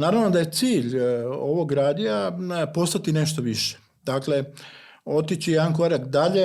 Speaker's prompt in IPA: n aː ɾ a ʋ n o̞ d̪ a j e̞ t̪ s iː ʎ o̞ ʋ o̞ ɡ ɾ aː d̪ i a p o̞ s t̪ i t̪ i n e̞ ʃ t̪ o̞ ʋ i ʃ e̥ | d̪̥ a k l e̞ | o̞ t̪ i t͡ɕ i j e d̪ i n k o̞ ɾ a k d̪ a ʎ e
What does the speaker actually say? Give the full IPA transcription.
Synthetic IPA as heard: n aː ɾ a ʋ n o̞ d̪ a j e̞ t̪ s iː ʎ o̞ ʋ o̞ ɡ ɾ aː d̪ i a p o̞ s t̪ a t̪ i n e̞ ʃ t̪ o̞ ʋ i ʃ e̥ | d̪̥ a k l e̞ | o̞ t̪ i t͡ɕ i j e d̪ a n k o̞ ɾ a k d̪ a ʎ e